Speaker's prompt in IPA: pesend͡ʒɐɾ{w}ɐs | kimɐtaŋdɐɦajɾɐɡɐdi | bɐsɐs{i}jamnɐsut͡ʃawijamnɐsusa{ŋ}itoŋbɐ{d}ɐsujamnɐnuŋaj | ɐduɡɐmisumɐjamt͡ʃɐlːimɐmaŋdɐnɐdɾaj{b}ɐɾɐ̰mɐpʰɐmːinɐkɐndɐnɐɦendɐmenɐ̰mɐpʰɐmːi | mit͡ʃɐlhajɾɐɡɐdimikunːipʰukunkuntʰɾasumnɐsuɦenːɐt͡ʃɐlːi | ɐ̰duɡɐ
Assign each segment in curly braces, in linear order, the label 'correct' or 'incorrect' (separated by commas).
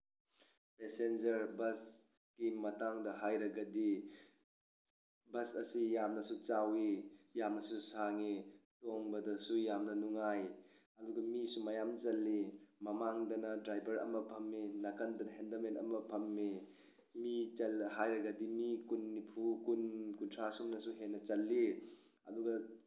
incorrect, correct, correct, correct, correct